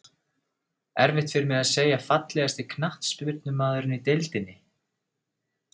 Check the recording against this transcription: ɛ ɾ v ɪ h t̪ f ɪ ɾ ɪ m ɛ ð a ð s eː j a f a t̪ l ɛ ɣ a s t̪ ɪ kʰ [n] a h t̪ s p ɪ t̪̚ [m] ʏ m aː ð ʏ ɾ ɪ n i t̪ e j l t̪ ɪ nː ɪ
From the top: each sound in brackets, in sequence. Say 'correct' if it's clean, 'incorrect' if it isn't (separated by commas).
correct, incorrect